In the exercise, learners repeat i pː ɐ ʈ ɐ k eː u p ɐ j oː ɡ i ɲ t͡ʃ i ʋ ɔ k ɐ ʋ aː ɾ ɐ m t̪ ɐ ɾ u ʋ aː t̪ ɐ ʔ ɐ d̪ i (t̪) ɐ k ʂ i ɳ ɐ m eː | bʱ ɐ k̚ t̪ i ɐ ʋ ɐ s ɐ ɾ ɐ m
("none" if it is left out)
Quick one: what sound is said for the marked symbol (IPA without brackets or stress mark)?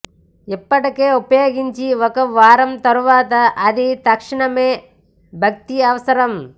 t̪